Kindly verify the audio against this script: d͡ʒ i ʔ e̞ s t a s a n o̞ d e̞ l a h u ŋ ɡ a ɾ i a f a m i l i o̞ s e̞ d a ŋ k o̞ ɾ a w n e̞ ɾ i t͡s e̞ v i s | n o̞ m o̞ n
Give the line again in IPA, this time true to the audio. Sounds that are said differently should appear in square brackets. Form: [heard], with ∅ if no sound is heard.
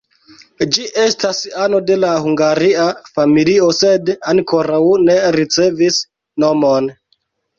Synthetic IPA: d͡ʒ i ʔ e̞ s t a s a n o̞ d e̞ l a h u ŋ ɡ a ɾ i a f a m i l i o̞ s e̞ d a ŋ k o̞ ɾ a w n e̞ ɾ i t͡s e̞ v i s | n o̞ m o̞ n